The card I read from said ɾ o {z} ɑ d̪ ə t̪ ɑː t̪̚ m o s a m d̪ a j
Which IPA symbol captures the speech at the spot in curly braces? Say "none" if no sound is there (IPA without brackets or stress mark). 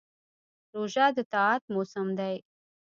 ʒ